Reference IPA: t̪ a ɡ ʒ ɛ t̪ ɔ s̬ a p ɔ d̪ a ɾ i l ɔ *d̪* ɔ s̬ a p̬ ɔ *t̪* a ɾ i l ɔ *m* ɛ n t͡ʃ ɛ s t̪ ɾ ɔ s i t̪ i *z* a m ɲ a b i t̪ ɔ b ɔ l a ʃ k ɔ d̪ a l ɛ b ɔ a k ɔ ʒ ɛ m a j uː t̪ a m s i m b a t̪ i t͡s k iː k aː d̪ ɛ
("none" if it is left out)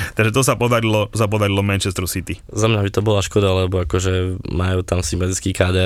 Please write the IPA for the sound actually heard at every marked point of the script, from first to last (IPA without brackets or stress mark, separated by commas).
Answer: t̪, d̪, m, z